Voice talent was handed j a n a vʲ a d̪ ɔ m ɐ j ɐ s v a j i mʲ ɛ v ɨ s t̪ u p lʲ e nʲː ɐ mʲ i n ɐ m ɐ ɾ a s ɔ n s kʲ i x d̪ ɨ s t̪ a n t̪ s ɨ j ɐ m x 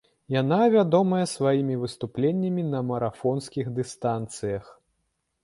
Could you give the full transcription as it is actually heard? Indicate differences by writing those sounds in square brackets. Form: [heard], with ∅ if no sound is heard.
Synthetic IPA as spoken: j a n a vʲ a d̪ ɔ m ɐ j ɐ s v a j i mʲ [i] v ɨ s t̪ u p lʲ e nʲː ɐ mʲ i n ɐ m ɐ ɾ a [f] ɔ n s kʲ i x d̪ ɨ s t̪ a n t̪ s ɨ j ɐ [∅] x